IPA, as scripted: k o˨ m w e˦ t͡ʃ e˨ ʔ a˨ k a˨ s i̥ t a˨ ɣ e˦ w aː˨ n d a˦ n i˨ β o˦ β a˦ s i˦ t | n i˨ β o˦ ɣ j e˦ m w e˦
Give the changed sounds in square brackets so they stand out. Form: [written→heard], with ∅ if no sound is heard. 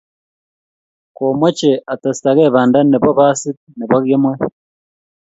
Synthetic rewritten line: k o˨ m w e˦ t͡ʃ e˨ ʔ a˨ [k→t] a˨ s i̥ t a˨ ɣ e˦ [w→β] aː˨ n d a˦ n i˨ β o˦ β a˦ s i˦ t | n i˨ β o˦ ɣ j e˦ m w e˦